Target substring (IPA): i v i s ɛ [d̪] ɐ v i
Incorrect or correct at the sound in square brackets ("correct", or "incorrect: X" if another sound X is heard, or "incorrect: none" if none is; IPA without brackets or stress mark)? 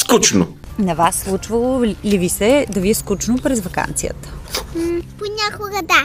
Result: correct